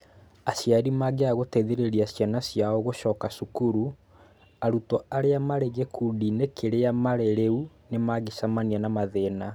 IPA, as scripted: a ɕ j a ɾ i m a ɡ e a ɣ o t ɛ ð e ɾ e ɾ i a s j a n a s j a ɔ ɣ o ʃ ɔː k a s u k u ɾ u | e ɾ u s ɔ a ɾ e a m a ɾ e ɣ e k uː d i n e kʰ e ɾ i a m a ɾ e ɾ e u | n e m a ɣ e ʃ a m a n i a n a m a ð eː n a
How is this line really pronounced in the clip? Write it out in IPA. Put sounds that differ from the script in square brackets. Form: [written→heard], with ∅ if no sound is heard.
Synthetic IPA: a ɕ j a ɾ i m a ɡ e a ɣ o t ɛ ð e ɾ e ɾ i a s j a n a s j a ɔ ɣ o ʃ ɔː k a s u k u ɾ u | [e→a] ɾ u [s→t] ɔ a ɾ e a m a ɾ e ɣ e k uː d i n e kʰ e ɾ [i→e] a m a ɾ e ɾ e u | n e m a ɣ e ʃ a m a n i a n a m a ð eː n a